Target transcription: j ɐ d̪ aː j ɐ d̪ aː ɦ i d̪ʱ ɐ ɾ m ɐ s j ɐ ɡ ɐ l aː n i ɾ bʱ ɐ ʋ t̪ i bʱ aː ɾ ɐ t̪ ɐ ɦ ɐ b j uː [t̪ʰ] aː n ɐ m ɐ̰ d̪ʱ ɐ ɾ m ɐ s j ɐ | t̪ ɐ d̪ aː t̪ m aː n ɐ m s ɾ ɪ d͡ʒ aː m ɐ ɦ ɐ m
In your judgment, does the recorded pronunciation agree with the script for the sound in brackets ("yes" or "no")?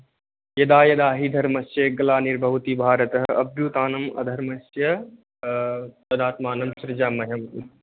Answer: no